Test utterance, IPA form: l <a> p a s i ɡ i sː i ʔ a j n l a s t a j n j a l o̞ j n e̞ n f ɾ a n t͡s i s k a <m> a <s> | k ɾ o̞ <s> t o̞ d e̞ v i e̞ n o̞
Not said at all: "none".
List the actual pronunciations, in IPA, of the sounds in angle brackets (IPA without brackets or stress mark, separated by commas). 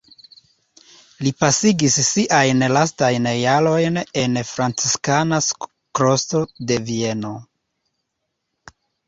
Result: i, n, s, s